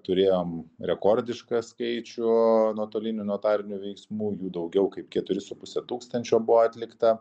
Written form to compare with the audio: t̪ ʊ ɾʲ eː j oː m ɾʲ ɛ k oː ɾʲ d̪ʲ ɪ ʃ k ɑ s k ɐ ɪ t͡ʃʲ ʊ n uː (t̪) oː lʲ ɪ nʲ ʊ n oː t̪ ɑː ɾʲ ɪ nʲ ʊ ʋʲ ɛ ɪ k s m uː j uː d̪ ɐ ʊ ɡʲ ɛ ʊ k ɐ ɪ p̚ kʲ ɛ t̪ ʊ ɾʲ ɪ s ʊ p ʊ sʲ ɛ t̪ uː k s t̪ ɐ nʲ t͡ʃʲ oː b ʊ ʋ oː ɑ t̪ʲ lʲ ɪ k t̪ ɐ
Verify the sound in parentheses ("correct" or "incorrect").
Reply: correct